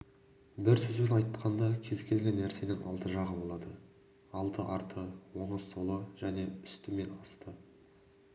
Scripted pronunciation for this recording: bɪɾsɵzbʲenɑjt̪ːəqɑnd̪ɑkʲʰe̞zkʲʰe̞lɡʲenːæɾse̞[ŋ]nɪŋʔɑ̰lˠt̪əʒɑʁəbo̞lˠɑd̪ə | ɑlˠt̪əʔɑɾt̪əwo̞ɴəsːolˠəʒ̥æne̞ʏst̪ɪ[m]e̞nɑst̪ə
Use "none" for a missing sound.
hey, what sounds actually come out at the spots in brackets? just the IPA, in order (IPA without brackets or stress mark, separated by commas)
none, m